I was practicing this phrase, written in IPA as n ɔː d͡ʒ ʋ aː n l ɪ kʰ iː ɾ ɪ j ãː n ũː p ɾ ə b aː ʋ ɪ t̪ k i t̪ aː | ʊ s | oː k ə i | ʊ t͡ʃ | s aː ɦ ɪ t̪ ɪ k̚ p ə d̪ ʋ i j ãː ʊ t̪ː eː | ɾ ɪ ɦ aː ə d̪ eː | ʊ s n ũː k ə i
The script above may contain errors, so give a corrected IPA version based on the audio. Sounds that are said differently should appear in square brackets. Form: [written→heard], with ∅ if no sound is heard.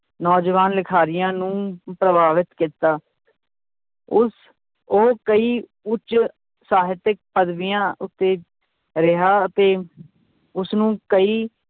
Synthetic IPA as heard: n ɔː d͡ʒ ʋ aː n l ɪ kʰ [iː→aː] ɾ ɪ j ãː n ũː p ɾ ə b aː ʋ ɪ t̪ k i t̪ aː | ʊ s | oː k ə [i→iː] | ʊ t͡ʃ | s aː ɦ ɪ t̪ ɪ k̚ p ə d̪ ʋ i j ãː ʊ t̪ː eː | ɾ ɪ ɦ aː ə [d̪→t̪] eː | ʊ s n ũː k ə [i→iː]